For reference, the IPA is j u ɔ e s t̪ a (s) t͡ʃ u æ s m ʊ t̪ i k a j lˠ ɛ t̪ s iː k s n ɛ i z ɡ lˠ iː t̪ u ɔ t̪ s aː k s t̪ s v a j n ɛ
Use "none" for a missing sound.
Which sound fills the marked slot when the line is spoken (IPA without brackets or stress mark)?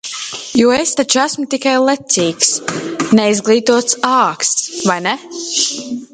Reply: none